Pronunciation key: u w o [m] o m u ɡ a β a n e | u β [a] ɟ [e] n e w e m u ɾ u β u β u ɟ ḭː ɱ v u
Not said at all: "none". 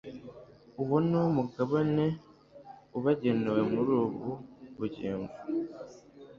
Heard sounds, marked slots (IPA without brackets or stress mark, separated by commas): n, a, e